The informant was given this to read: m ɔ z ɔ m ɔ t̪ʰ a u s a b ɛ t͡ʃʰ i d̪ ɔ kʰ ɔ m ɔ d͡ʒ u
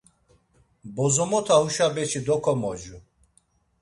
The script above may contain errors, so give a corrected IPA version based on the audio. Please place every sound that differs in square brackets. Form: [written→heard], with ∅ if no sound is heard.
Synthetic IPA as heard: [m→b] ɔ z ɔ m ɔ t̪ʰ a u [s→ʃ] a b ɛ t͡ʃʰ i d̪ ɔ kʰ ɔ m ɔ d͡ʒ u